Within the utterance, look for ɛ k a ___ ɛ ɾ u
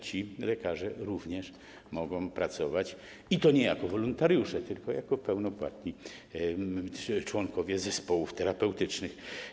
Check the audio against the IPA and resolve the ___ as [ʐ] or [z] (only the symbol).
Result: ʐ